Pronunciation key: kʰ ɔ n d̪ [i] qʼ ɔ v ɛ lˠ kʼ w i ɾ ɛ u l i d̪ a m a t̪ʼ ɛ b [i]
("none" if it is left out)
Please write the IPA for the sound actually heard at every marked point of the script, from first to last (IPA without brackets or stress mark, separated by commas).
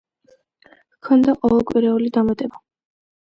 a, a